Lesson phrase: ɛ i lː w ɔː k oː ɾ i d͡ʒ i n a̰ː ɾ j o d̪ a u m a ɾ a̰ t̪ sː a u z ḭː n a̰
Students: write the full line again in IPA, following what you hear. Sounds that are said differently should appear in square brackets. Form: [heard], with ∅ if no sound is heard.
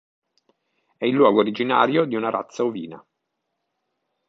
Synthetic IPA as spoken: ɛ i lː w ɔː [ɡ] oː ɾ i d͡ʒ i n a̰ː ɾ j o d̪ [i] u [n] a ɾ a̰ t̪ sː a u [v] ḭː n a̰